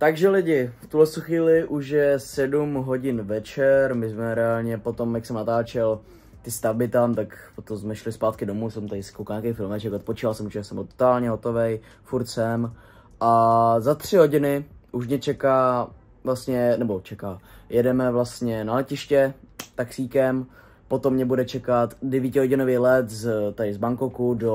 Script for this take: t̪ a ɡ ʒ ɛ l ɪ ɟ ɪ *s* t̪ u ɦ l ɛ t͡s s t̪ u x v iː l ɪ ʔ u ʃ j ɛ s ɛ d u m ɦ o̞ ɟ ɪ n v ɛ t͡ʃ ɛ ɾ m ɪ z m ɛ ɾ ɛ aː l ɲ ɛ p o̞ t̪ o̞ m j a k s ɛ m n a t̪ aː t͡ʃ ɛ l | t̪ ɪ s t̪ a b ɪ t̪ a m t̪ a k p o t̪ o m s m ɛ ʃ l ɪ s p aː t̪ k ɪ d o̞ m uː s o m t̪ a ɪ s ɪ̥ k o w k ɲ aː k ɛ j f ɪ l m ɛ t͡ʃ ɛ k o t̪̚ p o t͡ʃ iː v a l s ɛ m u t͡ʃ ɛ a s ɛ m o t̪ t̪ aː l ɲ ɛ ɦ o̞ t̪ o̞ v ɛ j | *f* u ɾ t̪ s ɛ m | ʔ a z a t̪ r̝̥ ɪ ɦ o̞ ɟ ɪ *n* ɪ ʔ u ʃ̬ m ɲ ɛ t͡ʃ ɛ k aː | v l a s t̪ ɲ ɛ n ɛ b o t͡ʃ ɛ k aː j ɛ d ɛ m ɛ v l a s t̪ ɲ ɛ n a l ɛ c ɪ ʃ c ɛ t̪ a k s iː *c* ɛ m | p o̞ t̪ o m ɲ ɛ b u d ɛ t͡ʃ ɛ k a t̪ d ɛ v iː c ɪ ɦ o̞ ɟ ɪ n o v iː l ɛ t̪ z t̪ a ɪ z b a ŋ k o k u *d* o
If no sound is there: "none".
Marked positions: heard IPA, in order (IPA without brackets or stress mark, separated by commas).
f, f, n, k, d